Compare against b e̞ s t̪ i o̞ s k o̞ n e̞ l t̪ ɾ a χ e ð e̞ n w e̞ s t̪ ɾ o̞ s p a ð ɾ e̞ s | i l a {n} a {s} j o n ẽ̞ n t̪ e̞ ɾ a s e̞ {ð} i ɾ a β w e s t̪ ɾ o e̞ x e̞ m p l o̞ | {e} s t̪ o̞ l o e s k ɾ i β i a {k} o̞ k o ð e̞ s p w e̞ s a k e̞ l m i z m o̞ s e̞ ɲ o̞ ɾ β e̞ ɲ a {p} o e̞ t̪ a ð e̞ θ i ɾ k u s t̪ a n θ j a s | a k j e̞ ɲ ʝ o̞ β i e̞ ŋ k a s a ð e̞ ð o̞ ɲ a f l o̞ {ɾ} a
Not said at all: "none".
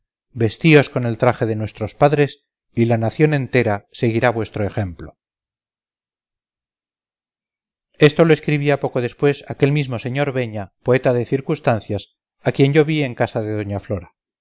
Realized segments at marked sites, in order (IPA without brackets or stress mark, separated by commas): n, θ, ɣ, e, p, p, ɾ